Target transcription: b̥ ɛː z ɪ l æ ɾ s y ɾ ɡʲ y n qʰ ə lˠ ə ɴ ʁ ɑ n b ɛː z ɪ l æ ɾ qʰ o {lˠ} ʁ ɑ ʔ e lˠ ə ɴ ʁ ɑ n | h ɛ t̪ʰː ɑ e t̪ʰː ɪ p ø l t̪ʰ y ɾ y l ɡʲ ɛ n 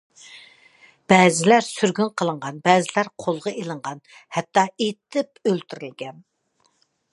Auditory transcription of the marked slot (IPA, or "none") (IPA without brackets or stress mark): lˠ